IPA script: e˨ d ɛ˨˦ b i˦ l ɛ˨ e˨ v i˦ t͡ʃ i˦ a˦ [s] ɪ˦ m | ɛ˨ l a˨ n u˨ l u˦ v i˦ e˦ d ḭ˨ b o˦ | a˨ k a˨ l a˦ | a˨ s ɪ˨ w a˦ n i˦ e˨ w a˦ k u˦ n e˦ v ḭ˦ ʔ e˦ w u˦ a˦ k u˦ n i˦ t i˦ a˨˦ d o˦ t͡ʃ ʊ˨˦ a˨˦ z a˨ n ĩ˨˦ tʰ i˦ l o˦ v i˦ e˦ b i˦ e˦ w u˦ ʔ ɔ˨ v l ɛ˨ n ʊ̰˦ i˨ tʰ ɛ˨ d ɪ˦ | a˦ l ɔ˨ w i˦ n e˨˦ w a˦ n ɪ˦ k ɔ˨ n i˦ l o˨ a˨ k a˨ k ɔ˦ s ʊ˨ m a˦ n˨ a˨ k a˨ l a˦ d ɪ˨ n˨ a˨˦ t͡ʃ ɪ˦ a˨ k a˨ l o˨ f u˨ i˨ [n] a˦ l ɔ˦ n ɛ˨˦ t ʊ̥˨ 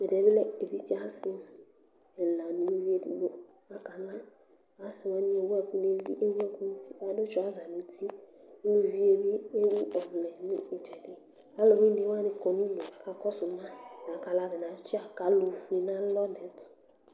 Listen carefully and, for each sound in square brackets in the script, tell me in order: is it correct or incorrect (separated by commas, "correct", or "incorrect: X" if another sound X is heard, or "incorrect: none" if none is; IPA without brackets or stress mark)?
correct, correct